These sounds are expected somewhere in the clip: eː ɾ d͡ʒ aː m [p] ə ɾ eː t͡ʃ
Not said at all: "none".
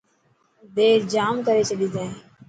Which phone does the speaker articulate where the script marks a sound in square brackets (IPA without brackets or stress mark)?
k